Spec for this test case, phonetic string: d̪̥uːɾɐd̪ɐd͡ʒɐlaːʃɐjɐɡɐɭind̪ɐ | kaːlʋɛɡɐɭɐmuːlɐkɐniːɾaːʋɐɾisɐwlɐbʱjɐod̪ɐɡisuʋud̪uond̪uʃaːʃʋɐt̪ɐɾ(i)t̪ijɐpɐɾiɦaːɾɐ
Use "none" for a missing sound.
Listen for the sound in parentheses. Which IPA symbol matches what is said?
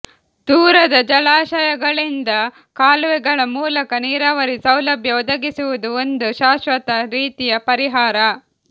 iː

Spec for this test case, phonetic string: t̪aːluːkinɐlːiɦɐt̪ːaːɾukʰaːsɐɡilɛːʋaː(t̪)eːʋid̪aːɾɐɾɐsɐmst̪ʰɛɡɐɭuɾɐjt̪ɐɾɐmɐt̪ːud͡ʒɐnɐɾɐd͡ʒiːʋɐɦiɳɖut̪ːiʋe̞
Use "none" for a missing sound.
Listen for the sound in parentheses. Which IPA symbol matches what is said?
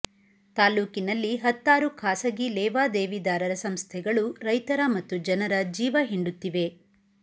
d̪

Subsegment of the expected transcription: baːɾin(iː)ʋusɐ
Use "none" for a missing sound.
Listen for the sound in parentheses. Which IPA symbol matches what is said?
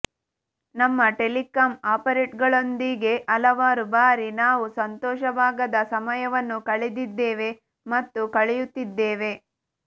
aː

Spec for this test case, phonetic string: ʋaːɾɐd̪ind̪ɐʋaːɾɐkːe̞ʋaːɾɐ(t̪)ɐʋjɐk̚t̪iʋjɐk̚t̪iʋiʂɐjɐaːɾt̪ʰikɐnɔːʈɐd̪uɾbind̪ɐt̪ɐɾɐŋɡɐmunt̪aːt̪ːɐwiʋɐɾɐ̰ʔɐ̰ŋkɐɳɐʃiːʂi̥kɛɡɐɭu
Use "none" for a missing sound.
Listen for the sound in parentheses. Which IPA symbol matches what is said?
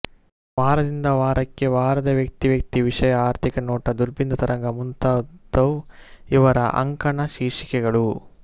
d̪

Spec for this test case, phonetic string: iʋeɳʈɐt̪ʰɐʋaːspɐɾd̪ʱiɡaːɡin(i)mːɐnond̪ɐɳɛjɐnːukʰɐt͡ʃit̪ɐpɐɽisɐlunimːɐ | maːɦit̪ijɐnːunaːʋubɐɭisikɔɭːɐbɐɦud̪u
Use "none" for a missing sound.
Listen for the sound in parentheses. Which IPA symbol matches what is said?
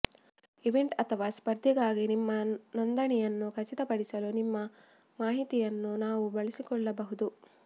i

